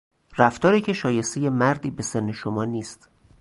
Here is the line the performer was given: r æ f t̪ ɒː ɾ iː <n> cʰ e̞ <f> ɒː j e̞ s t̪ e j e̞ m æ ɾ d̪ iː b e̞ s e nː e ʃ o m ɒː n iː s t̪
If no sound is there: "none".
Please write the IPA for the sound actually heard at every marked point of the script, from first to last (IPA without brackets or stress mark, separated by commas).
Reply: none, ʃ